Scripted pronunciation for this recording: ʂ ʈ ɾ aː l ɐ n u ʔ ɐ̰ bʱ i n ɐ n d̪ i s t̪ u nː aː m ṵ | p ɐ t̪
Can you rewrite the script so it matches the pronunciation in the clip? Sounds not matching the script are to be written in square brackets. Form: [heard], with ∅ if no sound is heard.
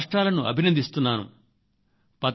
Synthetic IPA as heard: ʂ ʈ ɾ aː l ɐ n u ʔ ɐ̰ bʱ i n ɐ n d̪ i s t̪ u nː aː [n] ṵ | p ɐ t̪